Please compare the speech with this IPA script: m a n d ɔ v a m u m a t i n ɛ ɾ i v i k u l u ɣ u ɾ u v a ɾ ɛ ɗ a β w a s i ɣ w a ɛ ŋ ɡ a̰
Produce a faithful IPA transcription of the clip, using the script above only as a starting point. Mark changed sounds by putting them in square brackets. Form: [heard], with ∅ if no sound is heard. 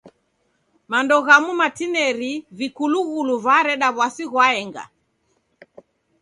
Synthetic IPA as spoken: m a n d ɔ [ɣ] a m u m a t i n ɛ ɾ i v i k u l u ɣ u [l] u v a ɾ ɛ ɗ a β w a s i ɣ w a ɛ ŋ ɡ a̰

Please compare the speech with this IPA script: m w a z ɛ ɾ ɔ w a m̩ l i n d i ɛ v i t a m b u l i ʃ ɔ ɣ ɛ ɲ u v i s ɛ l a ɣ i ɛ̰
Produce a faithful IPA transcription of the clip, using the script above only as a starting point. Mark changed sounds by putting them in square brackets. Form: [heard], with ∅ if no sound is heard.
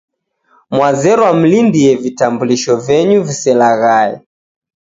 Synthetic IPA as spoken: m w a z ɛ ɾ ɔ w a m̩ l i n d i ɛ v i t a m b u l i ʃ ɔ [v] ɛ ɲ u v i s ɛ l a ɣ [a] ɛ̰

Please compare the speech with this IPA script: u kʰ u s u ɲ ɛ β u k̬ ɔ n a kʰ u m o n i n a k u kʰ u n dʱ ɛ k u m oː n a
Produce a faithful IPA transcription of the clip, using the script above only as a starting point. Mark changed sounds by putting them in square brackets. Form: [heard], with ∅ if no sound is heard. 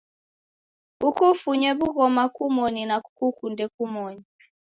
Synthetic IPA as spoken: u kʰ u [f] u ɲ ɛ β u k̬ ɔ [m] a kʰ u m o n i n a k u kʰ u n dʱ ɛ k u m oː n [i]

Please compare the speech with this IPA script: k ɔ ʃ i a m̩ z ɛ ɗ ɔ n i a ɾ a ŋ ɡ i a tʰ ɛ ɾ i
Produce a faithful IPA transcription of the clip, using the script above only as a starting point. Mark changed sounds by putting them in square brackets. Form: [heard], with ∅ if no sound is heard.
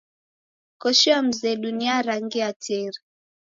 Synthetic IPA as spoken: k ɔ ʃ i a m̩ z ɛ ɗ [u] n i a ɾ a ŋ ɡ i a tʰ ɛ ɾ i

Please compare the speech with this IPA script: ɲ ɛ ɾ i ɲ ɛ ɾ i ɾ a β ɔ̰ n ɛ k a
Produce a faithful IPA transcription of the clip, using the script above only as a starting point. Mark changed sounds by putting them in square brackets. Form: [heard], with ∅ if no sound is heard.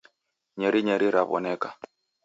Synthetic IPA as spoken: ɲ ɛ ɾ i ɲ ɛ ɾ i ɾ a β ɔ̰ n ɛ k a

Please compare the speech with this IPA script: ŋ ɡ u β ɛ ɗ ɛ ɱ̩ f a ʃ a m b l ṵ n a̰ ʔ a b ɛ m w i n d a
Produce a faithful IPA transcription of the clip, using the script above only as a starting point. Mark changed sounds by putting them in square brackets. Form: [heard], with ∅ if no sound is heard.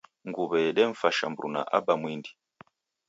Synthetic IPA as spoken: ŋ ɡ u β ɛ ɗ ɛ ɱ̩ f a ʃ a m b [ɾ] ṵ n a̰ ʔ a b [a] m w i n d [i]

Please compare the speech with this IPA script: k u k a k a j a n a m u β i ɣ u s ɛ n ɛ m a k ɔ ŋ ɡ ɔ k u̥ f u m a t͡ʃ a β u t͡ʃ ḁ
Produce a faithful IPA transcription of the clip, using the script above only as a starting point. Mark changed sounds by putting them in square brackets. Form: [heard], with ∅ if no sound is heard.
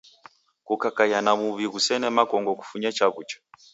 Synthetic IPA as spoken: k u k a k a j a n a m u β i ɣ u s ɛ n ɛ m a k ɔ ŋ ɡ ɔ k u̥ f u [ɲ] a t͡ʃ a β u t͡ʃ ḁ

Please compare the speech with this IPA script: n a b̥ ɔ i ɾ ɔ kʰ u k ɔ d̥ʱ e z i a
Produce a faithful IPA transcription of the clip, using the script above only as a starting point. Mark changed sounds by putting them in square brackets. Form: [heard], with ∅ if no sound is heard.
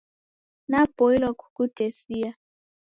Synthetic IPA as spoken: n a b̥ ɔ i [l] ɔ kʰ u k [u] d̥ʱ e [s] i a

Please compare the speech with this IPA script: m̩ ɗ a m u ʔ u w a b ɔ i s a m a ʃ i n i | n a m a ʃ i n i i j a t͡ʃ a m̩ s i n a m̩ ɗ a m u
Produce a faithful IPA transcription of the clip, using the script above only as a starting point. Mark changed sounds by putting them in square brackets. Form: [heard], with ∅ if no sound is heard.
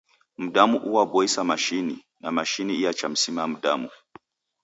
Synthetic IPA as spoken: m̩ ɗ a m u ʔ u w a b ɔ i s a m a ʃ i n i | n a m a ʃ i n i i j a t͡ʃ a m̩ s i [m] a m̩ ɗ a m u

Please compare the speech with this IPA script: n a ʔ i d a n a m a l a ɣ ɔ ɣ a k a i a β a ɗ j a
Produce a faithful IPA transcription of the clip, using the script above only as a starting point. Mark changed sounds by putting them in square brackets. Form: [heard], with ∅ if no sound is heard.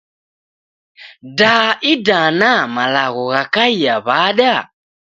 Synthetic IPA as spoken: [d] a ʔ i d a n a m a l a ɣ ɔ ɣ a k a i a β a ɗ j a

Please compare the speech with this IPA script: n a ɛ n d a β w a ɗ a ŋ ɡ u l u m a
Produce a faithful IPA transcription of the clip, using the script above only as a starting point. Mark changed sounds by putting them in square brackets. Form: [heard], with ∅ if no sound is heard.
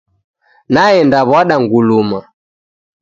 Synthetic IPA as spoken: n a ɛ n d a β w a ɗ a ŋ ɡ u l u m a

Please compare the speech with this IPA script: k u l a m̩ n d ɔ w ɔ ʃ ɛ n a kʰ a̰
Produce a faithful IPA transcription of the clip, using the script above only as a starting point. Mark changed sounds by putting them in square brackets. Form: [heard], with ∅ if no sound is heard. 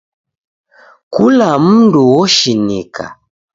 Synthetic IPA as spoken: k u l a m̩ n d [u] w ɔ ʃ [i] n [i] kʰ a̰

